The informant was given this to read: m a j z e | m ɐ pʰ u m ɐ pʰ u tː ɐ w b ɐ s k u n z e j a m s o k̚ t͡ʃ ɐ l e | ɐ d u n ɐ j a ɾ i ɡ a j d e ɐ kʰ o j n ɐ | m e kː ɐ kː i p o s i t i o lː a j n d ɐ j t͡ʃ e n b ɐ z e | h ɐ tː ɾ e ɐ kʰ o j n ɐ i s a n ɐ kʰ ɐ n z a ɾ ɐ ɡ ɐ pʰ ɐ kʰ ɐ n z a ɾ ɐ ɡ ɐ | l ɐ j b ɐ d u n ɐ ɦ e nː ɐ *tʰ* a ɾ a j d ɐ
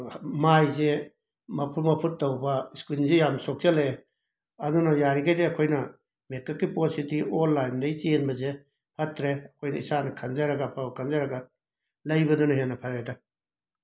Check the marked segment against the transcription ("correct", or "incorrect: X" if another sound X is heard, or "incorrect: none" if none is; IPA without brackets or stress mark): incorrect: pʰ